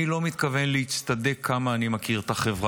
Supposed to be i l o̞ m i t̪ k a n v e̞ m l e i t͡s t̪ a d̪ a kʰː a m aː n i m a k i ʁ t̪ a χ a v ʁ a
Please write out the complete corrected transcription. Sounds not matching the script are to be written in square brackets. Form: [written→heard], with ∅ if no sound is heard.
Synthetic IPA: i l o̞ m i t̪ k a [n→∅] v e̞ [m→n] l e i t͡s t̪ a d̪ [a→e] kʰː a m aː n i m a k i ʁ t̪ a χ [a→e] v ʁ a